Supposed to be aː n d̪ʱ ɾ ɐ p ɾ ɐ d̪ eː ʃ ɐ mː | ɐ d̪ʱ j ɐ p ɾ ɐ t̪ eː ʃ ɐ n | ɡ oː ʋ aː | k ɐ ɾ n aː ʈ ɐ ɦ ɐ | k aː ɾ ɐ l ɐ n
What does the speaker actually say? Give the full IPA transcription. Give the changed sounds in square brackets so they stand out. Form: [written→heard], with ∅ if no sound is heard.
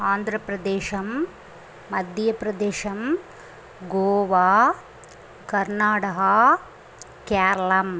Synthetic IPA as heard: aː n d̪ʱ ɾ ɐ p ɾ ɐ d̪ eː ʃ ɐ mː | ɐ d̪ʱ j ɐ p ɾ ɐ [t̪→d̪] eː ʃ ɐ [n→m] | ɡ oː ʋ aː | k ɐ ɾ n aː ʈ ɐ ɦ ɐ | k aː ɾ ɐ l ɐ [n→m]

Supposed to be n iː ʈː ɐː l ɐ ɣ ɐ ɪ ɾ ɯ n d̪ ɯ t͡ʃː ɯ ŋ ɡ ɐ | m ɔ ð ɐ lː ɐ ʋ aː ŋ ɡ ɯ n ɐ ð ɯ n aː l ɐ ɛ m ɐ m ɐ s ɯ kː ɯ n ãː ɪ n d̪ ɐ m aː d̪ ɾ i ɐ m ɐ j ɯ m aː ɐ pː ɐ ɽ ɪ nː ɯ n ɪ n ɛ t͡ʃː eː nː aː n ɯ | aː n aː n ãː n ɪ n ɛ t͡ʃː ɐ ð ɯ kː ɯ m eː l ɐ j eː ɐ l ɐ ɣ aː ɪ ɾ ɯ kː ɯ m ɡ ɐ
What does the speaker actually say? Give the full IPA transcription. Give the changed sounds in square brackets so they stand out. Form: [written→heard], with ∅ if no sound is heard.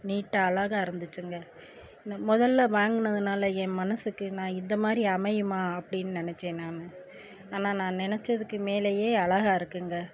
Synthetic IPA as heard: n iː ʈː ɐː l ɐ ɣ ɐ ɪ ɾ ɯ n d̪ ɯ t͡ʃː ɯ ŋ ɡ ɐ | m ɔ ð ɐ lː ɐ ʋ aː ŋ ɡ ɯ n ɐ ð ɯ n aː l ɐ ɛ m ɐ [m→n] ɐ s ɯ kː ɯ n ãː ɪ n d̪ ɐ m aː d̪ ɾ i ɐ m ɐ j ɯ m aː ɐ pː ɐ ɽ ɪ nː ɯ n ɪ n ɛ t͡ʃː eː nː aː n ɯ | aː n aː n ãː n ɪ n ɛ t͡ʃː ɐ ð ɯ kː ɯ m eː l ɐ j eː ɐ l ɐ ɣ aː ɪ ɾ ɯ kː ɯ [m→ŋ] ɡ ɐ

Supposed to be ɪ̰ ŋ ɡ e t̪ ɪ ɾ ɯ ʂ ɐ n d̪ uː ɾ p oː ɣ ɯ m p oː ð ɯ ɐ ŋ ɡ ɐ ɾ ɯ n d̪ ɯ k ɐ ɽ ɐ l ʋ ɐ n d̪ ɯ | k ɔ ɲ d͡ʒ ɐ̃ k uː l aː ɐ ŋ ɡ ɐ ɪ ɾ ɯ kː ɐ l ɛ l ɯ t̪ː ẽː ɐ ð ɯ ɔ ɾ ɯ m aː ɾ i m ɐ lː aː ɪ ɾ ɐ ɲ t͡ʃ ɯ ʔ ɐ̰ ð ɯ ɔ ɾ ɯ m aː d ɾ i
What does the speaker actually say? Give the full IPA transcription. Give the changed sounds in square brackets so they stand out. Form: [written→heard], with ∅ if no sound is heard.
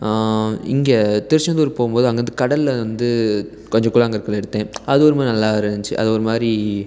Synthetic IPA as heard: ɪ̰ ŋ ɡ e t̪ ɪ ɾ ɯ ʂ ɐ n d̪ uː ɾ p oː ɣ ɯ m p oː ð ɯ ɐ ŋ ɡ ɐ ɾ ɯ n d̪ ɯ k ɐ ɽ ɐ l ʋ ɐ n d̪ ɯ | k ɔ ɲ d͡ʒ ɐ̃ k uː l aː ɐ ŋ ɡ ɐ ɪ ɾ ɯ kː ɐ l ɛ [l→ɽ] ɯ t̪ː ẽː ɐ ð ɯ ɔ ɾ ɯ m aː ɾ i [m→n] ɐ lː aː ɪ ɾ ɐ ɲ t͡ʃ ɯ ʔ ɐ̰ ð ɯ ɔ ɾ ɯ m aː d ɾ i

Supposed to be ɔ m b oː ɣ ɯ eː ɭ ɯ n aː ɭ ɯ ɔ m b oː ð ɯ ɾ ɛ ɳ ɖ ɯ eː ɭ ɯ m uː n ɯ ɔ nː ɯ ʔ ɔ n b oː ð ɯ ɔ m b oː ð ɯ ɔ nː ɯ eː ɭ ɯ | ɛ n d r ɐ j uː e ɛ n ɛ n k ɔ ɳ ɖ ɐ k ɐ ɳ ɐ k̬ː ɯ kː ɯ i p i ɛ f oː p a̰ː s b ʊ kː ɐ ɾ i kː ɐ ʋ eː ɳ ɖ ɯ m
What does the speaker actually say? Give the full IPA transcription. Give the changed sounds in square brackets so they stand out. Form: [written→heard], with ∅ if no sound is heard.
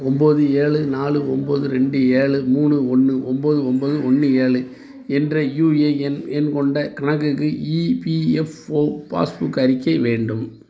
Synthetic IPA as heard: ɔ m b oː [ɣ→ð] ɯ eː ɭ ɯ n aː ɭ ɯ ɔ m b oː ð ɯ ɾ ɛ ɳ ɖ ɯ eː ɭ ɯ m uː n ɯ ɔ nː ɯ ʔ ɔ [n→m] b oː ð ɯ ɔ m b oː ð ɯ ɔ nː ɯ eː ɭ ɯ | ɛ n d r ɐ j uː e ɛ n ɛ n k ɔ ɳ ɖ ɐ k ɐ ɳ ɐ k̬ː ɯ kː ɯ i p i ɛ f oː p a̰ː s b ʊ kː ɐ ɾ [i→ɪ] kː ɐ ʋ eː ɳ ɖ ɯ m

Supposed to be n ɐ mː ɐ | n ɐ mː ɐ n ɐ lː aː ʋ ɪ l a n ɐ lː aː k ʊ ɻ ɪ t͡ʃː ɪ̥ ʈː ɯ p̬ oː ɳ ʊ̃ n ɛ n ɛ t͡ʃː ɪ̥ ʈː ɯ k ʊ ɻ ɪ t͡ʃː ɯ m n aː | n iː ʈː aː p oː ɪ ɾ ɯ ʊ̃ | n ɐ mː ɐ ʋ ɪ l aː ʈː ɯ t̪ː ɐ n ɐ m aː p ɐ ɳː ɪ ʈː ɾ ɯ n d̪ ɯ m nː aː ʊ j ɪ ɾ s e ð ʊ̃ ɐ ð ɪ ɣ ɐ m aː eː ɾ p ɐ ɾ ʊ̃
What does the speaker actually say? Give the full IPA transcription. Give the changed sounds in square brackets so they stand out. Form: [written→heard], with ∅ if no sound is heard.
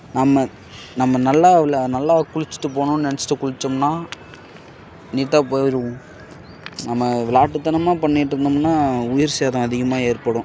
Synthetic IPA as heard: n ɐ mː ɐ | n ɐ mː ɐ n ɐ lː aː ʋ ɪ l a n ɐ lː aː k ʊ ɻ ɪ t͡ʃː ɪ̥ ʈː ɯ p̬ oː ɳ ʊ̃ n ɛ n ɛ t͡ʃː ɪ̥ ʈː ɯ k ʊ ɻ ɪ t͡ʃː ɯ m n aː | n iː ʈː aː p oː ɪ ɾ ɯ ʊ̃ | n ɐ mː ɐ ʋ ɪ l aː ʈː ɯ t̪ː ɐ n ɐ m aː p ɐ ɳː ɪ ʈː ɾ ɯ n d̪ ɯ m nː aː ʊ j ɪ ɾ s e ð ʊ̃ ɐ ð ɪ ɣ ɐ m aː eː ɾ p ɐ [ɾ→ɽ] ʊ̃

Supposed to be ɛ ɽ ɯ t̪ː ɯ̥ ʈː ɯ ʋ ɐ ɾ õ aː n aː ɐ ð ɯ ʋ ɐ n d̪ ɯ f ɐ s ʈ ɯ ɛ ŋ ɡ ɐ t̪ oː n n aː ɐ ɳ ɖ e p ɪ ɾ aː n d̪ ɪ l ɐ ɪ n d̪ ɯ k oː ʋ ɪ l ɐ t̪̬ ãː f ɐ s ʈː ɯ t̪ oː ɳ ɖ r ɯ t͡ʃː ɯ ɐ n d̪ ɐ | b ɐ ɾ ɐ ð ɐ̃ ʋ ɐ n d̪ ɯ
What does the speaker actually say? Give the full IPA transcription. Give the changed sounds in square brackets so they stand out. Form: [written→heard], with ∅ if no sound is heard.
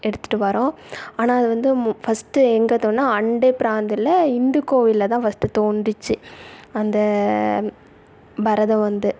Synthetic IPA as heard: ɛ ɽ ɯ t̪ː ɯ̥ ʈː ɯ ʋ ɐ ɾ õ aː n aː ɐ ð ɯ ʋ ɐ n d̪ ɯ f ɐ s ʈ ɯ ɛ ŋ ɡ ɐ t̪ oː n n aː ɐ ɳ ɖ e p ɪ ɾ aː n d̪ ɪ l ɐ ɪ n d̪ ɯ k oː ʋ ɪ l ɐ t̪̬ ãː f ɐ s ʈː ɯ t̪ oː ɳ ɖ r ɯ t͡ʃː ɯ ɐ n d̪ ɐ | b ɐ ɾ ɐ ð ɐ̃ ʋ ɐ n d̪ ɯ

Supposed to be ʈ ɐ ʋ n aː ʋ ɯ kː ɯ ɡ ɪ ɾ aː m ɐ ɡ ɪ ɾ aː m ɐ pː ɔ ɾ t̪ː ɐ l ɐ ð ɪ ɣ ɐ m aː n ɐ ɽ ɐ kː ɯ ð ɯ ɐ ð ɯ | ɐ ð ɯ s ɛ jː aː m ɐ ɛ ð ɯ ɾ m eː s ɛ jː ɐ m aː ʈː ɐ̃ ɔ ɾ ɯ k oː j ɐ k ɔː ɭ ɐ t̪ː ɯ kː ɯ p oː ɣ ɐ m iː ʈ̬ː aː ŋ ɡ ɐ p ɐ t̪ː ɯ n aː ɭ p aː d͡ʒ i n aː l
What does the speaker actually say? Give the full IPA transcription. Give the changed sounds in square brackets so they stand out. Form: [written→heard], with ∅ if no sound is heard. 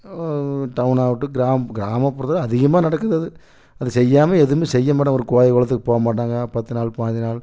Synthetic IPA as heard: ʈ ɐ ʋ n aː ʋ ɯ [kː→ʈː] ɯ ɡ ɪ ɾ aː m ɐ ɡ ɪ ɾ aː m ɐ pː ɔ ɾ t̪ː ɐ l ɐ ð ɪ ɣ ɐ m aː n ɐ ɽ ɐ kː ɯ ð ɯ ɐ ð ɯ | ɐ ð ɯ s ɛ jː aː m ɐ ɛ ð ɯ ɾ m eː s ɛ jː ɐ m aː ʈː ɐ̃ ɔ ɾ ɯ k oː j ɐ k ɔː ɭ ɐ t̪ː ɯ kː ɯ p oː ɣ ɐ m [iː→aː] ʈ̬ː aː ŋ ɡ ɐ p ɐ t̪ː ɯ n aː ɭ p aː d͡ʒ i n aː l

